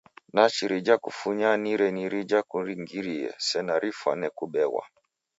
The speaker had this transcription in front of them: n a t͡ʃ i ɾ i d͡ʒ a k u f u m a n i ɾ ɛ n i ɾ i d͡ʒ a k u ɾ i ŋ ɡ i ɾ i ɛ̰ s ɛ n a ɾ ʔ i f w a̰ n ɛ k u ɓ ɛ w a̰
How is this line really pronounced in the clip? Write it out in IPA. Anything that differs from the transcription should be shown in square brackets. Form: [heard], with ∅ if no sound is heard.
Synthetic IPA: n a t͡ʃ i ɾ i d͡ʒ a k u f u [ɲ] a n i ɾ ɛ n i ɾ i d͡ʒ a k u ɾ i ŋ ɡ i ɾ i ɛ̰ s ɛ n a ɾ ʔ i f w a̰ n ɛ k u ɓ ɛ w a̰